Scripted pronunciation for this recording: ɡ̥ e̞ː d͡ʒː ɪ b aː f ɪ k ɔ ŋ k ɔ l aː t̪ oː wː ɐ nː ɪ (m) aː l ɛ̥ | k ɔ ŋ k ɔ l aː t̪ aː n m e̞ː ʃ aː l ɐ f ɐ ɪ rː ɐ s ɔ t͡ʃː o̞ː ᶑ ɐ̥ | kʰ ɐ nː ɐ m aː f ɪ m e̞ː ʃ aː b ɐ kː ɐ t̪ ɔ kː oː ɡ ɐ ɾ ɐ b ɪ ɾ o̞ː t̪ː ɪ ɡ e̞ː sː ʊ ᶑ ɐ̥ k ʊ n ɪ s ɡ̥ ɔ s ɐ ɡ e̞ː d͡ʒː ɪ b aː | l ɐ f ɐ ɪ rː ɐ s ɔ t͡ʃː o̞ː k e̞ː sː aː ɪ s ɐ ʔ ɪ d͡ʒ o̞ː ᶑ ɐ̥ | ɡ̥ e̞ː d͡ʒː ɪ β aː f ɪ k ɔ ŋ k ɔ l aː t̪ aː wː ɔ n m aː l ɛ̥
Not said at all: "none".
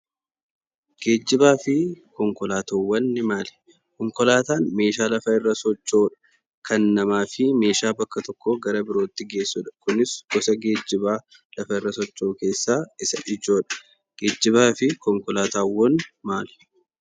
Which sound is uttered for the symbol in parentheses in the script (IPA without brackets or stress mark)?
m